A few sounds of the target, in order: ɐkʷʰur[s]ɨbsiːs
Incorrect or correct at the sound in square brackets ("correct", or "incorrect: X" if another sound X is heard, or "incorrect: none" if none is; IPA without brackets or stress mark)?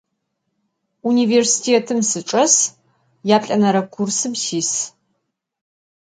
correct